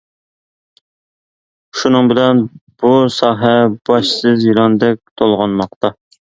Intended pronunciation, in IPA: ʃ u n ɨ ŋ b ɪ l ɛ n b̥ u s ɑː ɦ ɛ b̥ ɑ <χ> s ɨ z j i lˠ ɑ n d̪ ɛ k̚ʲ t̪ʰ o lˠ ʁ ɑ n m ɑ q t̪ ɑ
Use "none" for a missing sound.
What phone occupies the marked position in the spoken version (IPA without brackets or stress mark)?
ʃ